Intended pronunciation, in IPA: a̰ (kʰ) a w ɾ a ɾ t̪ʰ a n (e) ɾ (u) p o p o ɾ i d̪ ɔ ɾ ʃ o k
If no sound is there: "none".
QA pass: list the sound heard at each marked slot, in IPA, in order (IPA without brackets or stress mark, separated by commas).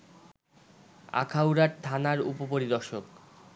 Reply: kʰ, a, u